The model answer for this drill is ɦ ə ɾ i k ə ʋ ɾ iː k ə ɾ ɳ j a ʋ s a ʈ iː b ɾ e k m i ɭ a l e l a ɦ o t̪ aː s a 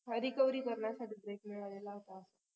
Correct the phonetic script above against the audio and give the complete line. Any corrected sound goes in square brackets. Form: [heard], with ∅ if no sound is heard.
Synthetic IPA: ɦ ə ɾ i k ə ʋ ɾ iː k ə ɾ ɳ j a [∅] s a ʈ iː b ɾ e k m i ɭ a l e l a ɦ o t̪ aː s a